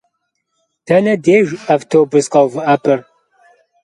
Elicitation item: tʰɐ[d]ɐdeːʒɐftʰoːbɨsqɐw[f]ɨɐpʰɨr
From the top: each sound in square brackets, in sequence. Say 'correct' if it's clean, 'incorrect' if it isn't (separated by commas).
incorrect, incorrect